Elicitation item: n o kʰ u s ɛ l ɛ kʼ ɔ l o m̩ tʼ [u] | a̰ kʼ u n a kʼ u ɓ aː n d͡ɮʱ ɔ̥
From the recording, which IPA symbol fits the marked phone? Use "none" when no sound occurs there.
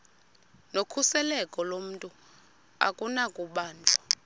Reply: u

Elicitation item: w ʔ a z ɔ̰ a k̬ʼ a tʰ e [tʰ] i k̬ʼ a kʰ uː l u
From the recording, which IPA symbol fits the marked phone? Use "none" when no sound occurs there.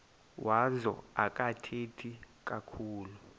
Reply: tʰ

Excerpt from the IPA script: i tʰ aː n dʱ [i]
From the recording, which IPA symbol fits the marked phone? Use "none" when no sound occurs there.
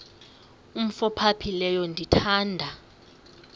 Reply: a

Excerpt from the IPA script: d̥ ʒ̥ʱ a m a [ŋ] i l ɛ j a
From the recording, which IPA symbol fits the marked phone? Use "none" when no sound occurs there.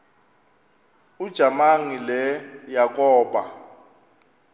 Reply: ŋ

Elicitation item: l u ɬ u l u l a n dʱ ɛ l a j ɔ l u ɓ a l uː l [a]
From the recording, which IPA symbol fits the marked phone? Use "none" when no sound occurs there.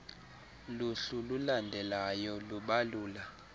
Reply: a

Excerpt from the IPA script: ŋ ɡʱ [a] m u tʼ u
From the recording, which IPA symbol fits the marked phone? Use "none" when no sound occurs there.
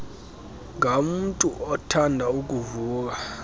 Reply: a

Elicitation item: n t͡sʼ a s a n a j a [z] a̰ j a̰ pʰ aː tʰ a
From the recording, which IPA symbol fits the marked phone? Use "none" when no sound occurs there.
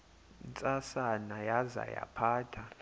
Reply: z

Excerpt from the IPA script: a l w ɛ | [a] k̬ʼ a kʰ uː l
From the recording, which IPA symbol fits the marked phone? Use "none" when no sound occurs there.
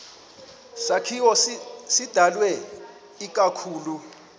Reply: i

